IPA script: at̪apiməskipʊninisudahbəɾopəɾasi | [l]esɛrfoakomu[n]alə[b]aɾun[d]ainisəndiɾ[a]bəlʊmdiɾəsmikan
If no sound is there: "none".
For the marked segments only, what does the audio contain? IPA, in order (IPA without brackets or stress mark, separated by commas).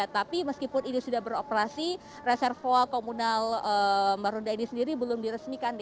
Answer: r, n, m, d, i